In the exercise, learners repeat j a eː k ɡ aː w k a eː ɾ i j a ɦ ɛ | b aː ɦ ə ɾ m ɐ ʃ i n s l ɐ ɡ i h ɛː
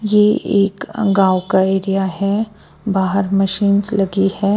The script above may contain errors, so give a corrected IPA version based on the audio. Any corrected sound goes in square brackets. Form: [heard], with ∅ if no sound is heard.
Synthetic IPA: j [e] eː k ɡ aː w k a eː ɾ i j a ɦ ɛ | b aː ɦ ə ɾ m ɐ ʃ [iː] n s l ɐ ɡ i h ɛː